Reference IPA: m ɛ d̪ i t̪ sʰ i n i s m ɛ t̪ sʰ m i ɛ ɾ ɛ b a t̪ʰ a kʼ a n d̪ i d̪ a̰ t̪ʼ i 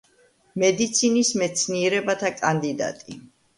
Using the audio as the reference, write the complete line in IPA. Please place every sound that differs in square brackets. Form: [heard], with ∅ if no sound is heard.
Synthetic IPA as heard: m ɛ d̪ i t̪ sʰ i n i s m ɛ t̪ sʰ [n] i ɛ ɾ ɛ b a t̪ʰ a kʼ a n d̪ i d̪ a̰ t̪ʼ i